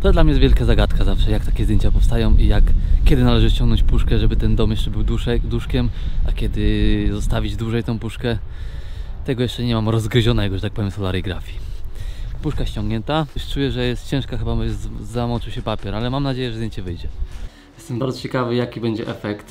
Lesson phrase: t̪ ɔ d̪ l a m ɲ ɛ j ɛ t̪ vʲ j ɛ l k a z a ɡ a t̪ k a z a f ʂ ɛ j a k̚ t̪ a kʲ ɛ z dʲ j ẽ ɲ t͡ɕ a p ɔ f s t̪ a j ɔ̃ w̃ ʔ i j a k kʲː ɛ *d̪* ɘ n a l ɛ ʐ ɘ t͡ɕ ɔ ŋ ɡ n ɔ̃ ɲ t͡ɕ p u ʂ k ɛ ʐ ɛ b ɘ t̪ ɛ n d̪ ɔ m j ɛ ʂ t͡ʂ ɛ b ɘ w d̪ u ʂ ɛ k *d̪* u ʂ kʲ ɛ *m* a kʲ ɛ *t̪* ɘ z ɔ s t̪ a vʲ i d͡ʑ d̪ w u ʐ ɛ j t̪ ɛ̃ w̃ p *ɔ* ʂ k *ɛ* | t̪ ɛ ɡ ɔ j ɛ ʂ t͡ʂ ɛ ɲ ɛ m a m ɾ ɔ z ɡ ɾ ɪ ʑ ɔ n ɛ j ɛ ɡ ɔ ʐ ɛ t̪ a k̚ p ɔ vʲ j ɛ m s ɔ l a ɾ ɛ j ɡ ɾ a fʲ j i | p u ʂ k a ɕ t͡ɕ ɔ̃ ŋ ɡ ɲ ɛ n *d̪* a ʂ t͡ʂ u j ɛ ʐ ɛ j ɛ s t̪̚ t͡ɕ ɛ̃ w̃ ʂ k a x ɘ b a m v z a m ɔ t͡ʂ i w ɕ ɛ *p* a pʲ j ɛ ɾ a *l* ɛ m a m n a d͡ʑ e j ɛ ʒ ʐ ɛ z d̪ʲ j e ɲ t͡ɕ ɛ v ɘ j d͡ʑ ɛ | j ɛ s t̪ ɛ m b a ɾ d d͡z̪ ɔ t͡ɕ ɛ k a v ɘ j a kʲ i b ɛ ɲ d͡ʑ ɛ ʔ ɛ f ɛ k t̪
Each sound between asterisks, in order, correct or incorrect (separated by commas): correct, correct, correct, incorrect, incorrect, correct, incorrect, correct, correct